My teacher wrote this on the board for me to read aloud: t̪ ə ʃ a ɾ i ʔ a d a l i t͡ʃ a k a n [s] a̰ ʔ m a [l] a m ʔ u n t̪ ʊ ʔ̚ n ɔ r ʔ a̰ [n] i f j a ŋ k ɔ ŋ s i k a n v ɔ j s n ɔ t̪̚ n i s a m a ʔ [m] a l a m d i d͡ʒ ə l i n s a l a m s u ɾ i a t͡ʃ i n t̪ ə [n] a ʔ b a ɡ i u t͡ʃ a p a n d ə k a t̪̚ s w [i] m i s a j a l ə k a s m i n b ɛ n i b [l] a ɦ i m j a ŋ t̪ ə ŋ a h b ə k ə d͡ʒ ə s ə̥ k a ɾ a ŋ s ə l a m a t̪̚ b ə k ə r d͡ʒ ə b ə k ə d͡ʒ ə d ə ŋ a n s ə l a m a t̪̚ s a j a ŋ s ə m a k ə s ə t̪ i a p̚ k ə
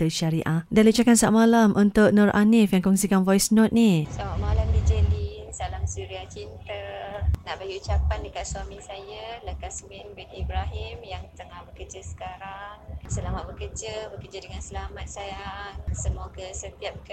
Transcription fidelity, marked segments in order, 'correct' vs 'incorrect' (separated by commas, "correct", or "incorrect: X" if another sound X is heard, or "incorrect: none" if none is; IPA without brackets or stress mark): correct, correct, correct, correct, correct, incorrect: a, incorrect: ɾ